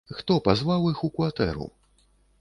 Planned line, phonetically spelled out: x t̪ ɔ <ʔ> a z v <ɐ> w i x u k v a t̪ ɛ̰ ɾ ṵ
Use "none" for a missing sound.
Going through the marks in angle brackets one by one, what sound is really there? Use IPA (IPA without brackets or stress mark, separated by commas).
p, a